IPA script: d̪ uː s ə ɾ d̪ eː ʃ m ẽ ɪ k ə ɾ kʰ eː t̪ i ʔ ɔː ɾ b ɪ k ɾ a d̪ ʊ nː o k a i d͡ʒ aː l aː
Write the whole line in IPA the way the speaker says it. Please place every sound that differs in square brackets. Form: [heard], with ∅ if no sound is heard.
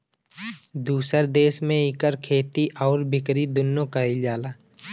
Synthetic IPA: d̪ uː s ə ɾ d̪ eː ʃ m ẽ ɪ k ə ɾ kʰ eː t̪ i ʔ ɔː ɾ b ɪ k ɾ [i] d̪ ʊ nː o k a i d͡ʒ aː l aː